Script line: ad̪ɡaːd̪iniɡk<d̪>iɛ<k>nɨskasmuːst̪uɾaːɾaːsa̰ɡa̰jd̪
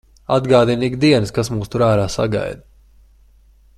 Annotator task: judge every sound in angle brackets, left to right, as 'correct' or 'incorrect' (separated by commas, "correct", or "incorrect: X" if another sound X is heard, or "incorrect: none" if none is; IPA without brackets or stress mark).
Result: correct, incorrect: none